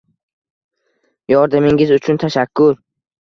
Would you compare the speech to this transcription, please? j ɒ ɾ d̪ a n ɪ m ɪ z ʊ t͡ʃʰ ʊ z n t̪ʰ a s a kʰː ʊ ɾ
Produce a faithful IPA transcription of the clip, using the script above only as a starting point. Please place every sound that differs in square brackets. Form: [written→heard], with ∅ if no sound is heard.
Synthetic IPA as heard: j ɒ ɾ d̪ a [n→m] ɪ [m→ŋ] ɪ z ʊ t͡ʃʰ ʊ [z→∅] n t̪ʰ a [s→ʃ] a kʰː ʊ ɾ